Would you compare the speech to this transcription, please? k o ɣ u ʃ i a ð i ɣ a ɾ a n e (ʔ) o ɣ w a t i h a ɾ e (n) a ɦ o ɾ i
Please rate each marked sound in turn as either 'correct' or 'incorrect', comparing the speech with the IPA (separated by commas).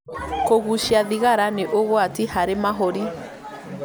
correct, incorrect